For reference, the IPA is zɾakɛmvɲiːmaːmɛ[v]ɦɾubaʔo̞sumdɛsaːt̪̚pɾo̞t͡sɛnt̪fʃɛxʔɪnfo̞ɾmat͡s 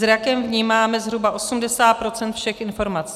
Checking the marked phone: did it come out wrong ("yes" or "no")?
yes